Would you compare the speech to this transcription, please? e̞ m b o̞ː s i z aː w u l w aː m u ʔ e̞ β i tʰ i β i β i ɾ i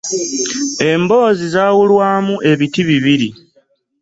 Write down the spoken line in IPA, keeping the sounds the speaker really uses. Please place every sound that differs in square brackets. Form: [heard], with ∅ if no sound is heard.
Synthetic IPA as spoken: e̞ m b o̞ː [z] i z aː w u l w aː m u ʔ e̞ β i [t] i β i β i ɾ i

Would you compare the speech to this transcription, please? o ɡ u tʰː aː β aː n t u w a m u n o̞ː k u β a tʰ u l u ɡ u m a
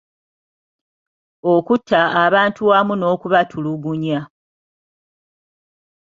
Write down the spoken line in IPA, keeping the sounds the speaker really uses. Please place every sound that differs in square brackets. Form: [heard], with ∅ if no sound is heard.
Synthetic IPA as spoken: o [k] u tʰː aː β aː n t u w a m u n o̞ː k u β a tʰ u l u ɡ u [ɲ] a

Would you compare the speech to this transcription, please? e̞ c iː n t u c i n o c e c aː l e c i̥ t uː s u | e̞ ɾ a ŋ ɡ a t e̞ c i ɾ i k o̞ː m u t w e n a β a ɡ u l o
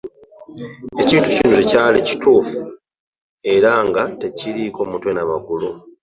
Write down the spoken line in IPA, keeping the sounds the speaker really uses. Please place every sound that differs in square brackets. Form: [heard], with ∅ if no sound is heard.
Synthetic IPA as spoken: e̞ c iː n t u c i n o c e c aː l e c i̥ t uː [f] u | e̞ ɾ a ŋ ɡ a t e̞ c i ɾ i k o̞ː m u t w e n a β a ɡ u l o

